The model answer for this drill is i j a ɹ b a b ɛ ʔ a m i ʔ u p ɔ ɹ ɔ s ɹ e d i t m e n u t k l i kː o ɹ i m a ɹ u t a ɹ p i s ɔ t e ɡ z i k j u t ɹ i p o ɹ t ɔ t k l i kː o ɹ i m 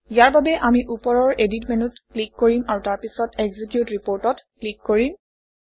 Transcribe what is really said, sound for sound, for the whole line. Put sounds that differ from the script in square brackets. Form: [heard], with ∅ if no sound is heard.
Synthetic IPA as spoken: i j a ɹ b a b ɛ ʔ a m i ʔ u p ɔ ɹ ɔ [∅] ɹ e d i t m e n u t k l i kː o ɹ i m a ɹ u t a ɹ p i s ɔ t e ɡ z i k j u t ɹ i p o ɹ t ɔ t k l i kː o ɹ i m